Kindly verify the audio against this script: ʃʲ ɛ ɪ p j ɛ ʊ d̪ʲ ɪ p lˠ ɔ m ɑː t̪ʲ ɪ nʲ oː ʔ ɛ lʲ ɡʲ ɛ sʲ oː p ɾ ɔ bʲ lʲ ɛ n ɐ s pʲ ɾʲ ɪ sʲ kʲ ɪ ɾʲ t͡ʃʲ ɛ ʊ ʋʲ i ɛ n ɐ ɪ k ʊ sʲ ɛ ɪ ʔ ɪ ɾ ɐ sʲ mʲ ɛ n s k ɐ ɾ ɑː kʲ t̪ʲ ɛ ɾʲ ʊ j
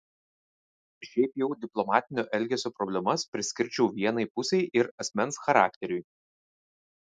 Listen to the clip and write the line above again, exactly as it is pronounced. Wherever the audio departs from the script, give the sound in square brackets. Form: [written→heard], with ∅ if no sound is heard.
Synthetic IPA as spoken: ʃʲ ɛ ɪ p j ɛ ʊ d̪ʲ ɪ p lˠ ɔ m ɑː t̪ʲ ɪ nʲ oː ʔ ɛ lʲ ɡʲ ɛ sʲ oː p ɾ ɔ bʲ lʲ ɛ [n→m] ɐ s pʲ ɾʲ ɪ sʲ kʲ ɪ ɾʲ t͡ʃʲ ɛ ʊ ʋʲ i ɛ n ɐ ɪ [k→p] ʊ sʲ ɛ ɪ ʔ ɪ ɾ ɐ sʲ mʲ ɛ n s [k→x] ɐ ɾ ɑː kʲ t̪ʲ ɛ ɾʲ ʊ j